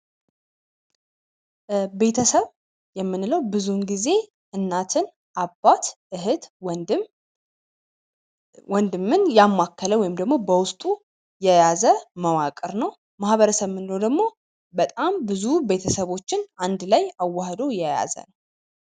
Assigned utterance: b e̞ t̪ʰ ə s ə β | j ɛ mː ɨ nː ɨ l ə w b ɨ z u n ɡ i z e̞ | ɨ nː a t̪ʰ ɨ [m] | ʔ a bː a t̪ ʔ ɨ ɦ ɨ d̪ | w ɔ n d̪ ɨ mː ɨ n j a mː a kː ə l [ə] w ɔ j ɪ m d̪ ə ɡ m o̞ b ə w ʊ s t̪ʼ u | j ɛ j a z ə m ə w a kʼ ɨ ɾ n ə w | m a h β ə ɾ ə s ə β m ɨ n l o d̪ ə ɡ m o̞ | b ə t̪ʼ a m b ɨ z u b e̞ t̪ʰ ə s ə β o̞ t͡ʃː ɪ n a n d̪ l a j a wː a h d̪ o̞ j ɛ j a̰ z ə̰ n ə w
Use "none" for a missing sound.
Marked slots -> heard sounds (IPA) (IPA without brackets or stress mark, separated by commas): n, ə